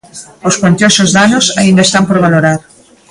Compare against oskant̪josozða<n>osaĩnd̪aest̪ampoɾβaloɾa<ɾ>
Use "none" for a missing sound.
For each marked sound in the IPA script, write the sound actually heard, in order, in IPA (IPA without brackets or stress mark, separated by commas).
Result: n, ɾ